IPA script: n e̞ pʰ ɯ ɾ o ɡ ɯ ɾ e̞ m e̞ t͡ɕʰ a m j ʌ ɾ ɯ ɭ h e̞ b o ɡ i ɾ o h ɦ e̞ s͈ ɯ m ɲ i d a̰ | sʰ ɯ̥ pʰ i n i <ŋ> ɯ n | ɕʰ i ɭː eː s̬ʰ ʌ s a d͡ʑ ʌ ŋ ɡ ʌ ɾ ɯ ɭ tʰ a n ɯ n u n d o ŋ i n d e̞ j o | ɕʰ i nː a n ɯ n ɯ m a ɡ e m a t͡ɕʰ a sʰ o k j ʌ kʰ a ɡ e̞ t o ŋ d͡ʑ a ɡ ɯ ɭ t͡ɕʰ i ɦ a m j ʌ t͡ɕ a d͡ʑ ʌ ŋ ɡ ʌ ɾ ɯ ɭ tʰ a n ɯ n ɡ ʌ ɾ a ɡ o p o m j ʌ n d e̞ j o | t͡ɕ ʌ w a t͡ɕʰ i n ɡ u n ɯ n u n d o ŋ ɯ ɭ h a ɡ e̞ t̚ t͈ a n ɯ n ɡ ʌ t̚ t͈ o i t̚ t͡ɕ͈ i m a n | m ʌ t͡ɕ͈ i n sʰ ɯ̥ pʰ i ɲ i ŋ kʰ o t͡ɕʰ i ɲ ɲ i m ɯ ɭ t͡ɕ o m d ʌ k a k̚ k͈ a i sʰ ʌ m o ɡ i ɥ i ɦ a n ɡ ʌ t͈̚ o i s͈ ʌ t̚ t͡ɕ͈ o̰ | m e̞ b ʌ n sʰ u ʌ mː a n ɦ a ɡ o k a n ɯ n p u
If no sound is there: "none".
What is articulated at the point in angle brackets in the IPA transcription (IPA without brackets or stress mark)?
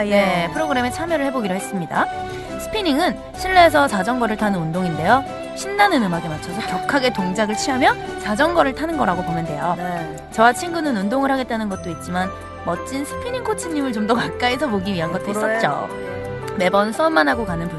ŋ